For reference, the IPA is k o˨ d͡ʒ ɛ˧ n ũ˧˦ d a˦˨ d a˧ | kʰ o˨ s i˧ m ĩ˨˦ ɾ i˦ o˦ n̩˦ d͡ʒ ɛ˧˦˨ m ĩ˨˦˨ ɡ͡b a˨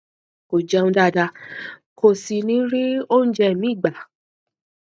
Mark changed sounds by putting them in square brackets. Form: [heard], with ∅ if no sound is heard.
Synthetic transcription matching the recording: k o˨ d͡ʒ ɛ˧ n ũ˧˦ d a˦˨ d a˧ | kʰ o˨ s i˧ [n] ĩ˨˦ ɾ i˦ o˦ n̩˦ d͡ʒ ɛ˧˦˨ m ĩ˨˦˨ ɡ͡b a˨